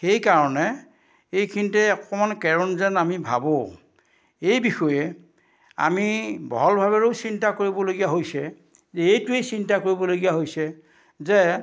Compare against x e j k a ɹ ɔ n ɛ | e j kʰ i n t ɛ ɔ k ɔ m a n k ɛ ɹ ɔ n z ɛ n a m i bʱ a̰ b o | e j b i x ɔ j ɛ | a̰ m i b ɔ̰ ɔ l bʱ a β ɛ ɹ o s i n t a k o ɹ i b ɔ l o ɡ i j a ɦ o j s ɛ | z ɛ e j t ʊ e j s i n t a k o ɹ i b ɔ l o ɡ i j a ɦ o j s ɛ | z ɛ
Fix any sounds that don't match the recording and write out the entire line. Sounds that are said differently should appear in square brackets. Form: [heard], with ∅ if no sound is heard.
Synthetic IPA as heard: x e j k a ɹ ɔ n ɛ | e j kʰ i n t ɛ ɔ k ɔ m a n k ɛ ɹ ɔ n z ɛ n a m i bʱ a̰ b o | e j b i x ɔ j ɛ | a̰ m i b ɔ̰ ɔ l bʱ a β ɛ ɹ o s i n t a k o ɹ i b ɔ l o ɡ i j a ɦ o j s ɛ | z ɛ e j t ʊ e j s i n t a k o ɹ i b ɔ l o ɡ i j a ɦ o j s ɛ | z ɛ